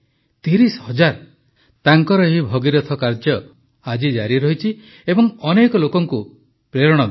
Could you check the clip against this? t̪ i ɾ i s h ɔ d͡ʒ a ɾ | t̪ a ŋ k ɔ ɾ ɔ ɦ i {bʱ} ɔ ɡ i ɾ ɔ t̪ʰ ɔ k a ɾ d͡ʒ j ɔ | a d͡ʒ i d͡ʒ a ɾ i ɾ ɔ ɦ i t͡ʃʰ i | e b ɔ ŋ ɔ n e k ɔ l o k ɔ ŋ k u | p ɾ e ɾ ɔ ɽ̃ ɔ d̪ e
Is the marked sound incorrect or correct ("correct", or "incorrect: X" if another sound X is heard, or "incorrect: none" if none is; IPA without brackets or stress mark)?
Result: correct